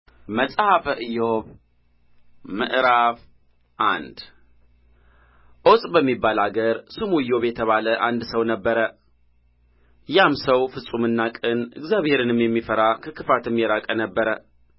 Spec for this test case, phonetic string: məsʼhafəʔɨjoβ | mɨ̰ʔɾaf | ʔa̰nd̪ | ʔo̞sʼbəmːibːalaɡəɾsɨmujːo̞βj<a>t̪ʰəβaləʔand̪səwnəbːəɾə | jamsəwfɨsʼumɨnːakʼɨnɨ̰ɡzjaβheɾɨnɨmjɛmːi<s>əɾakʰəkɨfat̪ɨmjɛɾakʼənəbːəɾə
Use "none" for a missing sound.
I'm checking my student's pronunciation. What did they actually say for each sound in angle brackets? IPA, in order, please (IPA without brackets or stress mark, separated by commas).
ɛ, f